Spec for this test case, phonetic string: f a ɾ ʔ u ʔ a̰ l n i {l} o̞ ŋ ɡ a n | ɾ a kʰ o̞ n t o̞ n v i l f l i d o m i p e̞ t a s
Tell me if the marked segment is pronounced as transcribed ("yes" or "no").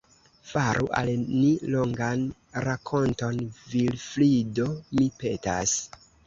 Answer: yes